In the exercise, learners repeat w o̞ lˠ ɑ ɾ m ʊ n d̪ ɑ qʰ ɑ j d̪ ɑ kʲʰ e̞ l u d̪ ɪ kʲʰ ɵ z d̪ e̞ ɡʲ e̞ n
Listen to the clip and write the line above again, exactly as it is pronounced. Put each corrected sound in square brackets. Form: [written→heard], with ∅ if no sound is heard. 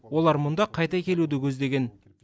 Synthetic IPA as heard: w o̞ lˠ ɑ ɾ m ʊ n d̪ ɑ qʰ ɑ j [d̪→t̪] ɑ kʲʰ e̞ l u d̪ ɪ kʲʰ ɵ z d̪ e̞ ɡʲ e̞ n